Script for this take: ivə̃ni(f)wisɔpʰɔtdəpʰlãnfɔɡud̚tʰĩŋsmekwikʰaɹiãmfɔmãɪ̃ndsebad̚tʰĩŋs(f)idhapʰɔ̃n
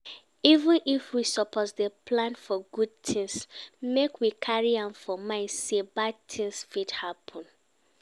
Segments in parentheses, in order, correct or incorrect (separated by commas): correct, correct